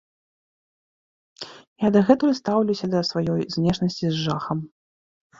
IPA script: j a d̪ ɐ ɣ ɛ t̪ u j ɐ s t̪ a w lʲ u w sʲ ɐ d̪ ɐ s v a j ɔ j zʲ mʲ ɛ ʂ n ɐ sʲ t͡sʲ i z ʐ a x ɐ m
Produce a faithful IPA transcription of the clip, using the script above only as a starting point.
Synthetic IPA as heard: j a d̪ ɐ ɣ ɛ t̪ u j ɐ s t̪ a w lʲ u w sʲ ɐ d̪ ɐ s v a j ɔ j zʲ nʲ ɛ ʂ n ɐ sʲ t͡sʲ i z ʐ a x ɐ m